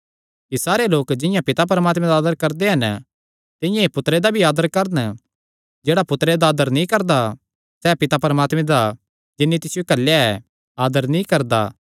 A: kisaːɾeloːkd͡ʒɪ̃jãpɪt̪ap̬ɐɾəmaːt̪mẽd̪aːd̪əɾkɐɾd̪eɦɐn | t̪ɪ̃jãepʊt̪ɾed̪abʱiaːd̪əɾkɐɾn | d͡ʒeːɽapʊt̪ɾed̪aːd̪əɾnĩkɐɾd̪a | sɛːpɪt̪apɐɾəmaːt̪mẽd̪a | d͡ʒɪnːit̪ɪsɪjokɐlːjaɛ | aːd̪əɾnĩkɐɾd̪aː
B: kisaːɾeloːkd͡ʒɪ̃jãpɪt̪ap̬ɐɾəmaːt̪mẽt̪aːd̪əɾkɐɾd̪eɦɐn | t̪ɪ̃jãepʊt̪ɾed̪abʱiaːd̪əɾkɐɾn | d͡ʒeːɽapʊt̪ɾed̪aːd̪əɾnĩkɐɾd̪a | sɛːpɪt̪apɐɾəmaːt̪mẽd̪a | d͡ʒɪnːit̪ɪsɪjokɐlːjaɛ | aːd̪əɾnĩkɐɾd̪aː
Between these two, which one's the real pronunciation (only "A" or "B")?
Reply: A